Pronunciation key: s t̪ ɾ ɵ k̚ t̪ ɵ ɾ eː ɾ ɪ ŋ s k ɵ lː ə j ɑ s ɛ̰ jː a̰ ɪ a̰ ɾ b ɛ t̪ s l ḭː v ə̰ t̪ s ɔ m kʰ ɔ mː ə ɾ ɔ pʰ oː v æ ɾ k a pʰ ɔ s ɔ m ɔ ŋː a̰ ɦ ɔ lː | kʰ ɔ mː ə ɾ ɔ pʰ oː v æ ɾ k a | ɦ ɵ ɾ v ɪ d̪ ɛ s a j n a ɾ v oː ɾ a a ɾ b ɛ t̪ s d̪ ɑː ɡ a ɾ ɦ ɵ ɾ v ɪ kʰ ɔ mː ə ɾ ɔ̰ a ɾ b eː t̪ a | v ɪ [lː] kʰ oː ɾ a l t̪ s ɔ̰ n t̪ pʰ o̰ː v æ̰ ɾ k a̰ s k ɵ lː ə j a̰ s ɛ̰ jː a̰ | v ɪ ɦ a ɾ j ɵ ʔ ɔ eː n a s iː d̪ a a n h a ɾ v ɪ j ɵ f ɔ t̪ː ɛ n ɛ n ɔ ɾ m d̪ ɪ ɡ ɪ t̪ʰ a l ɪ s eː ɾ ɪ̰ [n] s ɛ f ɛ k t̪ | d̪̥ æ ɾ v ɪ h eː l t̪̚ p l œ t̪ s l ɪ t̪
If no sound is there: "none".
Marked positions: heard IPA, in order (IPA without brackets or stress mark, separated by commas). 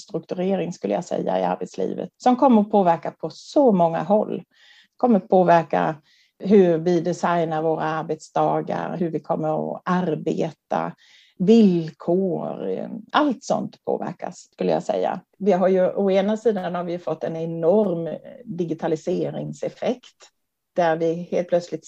l, ŋ